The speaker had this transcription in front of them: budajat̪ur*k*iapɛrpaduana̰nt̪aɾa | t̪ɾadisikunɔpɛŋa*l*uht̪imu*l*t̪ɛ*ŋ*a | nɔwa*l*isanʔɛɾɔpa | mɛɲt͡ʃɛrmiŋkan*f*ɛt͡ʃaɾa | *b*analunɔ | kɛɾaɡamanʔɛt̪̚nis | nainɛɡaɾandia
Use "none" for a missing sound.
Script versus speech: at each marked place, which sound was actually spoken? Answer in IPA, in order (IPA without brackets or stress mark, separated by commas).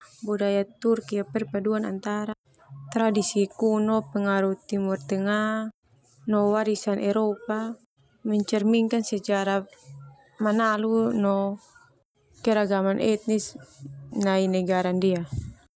k, ɾ, r, ŋ, ɾ, s, m